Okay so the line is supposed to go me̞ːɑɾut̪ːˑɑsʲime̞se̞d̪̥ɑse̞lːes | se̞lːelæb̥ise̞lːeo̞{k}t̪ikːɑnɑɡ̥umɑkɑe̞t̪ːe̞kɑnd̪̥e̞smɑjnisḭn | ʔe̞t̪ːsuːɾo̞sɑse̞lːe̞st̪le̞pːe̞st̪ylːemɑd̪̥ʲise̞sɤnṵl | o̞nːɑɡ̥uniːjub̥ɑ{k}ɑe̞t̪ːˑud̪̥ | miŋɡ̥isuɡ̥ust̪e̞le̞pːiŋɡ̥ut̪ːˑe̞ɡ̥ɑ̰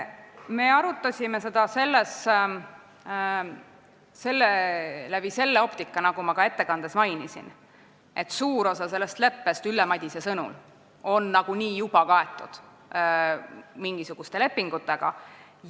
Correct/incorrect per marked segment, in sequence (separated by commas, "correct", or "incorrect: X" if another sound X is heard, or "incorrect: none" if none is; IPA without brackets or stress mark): incorrect: p, correct